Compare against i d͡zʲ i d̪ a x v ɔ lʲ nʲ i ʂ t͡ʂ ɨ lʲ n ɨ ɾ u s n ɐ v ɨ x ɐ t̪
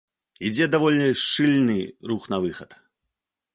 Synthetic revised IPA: i d͡zʲ ɛ d̪ a v ɔ lʲ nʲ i ʂ t͡ʂ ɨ lʲ n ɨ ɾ u x n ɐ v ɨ x ɐ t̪